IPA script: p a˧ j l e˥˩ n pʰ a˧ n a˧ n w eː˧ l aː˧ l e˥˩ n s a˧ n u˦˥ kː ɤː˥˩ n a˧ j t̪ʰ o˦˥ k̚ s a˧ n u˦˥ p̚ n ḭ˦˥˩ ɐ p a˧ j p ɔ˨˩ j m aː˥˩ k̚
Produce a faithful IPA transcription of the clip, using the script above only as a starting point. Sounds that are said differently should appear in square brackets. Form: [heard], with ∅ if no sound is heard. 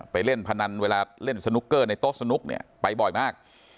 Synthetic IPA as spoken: p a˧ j l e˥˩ n pʰ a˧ n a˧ n w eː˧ l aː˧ l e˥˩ n s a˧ n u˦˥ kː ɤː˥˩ n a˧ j [t̪] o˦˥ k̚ s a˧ n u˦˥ [k̚] n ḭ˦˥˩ ɐ p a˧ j [b] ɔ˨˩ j m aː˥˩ k̚